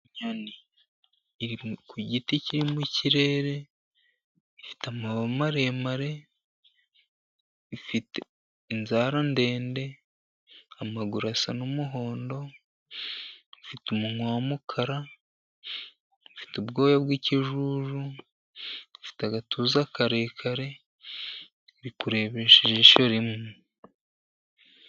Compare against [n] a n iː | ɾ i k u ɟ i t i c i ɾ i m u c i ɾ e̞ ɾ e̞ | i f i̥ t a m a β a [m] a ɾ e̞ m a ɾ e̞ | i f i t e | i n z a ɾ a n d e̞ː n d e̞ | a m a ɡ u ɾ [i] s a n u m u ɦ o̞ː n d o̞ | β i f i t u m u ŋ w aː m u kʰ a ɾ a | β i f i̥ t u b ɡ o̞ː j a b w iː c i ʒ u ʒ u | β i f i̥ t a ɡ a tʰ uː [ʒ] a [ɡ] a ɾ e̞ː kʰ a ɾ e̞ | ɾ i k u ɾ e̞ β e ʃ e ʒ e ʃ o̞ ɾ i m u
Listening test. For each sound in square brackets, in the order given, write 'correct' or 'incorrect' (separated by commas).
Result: incorrect, correct, incorrect, incorrect, incorrect